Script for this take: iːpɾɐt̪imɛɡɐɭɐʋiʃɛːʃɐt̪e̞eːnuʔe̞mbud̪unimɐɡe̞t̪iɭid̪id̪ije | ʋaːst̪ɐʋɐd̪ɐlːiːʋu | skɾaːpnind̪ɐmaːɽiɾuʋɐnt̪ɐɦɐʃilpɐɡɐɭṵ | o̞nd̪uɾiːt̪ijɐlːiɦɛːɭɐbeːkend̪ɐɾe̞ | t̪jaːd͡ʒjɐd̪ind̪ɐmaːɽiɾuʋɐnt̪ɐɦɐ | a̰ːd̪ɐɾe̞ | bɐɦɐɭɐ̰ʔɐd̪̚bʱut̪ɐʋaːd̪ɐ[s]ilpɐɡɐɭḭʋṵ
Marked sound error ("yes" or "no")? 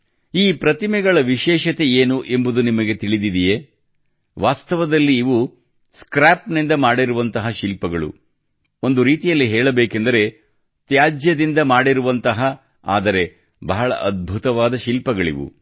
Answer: yes